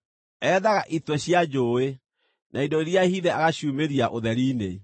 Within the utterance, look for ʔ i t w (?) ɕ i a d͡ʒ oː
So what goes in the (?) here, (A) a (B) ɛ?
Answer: B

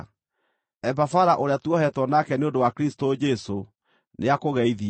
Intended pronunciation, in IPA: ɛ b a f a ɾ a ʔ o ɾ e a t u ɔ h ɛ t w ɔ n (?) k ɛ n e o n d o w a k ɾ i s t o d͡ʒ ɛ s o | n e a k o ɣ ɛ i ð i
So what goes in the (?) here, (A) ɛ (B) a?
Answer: B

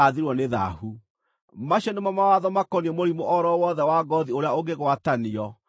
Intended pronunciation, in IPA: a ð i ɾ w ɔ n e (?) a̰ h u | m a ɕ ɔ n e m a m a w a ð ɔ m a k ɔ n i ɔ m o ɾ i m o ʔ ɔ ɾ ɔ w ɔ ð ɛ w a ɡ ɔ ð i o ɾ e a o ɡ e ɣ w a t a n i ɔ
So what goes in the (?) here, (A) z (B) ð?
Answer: B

